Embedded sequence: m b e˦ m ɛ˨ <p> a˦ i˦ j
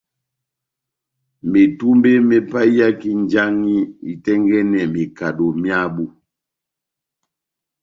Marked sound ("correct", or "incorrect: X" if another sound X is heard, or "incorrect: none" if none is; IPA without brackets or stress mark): correct